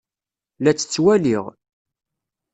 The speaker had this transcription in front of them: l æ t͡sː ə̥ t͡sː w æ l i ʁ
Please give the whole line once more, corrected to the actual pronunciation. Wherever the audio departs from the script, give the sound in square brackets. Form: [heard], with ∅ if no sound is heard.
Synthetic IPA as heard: l æ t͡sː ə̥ t͡sː w æ l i ʁ